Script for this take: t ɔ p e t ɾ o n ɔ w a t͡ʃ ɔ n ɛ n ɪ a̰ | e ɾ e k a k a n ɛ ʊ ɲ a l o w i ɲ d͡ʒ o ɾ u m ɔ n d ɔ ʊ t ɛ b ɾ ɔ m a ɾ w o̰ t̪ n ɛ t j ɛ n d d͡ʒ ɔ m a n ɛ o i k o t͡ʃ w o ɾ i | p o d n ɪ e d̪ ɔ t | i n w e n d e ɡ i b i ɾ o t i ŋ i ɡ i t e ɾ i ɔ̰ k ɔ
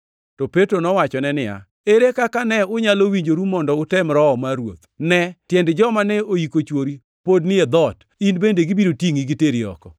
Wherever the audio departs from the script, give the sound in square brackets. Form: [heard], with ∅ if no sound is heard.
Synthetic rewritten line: t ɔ p e t ɾ o n ɔ w a t͡ʃ ɔ n ɛ n ɪ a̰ | e ɾ e k a k a n ɛ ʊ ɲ a l o w i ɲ d͡ʒ o ɾ u m ɔ n d ɔ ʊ t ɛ [m] ɾ ɔ m a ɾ w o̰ t̪ n ɛ t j ɛ n d d͡ʒ ɔ m a n ɛ o i k o t͡ʃ w o ɾ i | p o d n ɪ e d̪ ɔ t | i n [b] e n d e ɡ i b i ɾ o t i ŋ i ɡ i t e ɾ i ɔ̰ k ɔ